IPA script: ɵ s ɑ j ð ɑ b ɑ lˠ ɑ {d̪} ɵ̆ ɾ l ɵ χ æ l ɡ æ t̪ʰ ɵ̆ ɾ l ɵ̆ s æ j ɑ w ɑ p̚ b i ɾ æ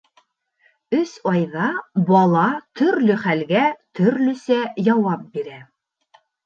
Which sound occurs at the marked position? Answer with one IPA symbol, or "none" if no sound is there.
t̪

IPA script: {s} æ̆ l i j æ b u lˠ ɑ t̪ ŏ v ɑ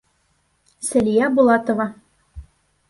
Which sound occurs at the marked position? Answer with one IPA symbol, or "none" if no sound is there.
s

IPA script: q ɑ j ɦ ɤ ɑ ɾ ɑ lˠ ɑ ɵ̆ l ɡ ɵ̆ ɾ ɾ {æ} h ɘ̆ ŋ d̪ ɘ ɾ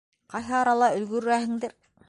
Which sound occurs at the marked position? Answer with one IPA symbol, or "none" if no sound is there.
æ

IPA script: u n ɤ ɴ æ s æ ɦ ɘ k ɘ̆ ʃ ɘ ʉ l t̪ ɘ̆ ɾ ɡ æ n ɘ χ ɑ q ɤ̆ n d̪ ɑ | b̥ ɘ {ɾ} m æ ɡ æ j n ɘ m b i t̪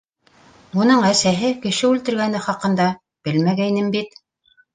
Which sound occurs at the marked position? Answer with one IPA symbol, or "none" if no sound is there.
l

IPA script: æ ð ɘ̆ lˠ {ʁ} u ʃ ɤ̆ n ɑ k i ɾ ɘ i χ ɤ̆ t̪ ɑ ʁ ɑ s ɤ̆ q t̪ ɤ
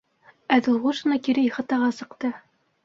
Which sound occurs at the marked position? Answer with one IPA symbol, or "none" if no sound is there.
ʁ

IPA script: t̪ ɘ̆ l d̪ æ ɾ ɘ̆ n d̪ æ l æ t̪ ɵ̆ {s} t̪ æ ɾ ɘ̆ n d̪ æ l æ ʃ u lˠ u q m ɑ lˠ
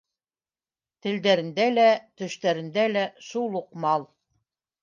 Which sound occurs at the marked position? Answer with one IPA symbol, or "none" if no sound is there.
ʃ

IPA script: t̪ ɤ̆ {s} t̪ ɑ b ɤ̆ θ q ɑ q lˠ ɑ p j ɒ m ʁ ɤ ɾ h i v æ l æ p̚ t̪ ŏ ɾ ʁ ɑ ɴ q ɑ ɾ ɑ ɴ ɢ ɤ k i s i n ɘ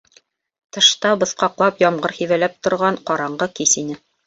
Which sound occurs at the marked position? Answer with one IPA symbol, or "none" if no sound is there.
ʃ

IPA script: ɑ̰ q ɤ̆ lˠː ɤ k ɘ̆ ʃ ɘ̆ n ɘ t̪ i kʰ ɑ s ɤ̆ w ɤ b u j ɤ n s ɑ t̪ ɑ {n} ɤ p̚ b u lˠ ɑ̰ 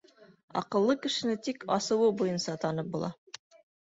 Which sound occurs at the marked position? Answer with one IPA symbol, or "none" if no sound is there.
n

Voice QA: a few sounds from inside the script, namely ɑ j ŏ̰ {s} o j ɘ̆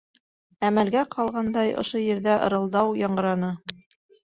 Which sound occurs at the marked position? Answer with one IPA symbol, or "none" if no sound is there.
ʃ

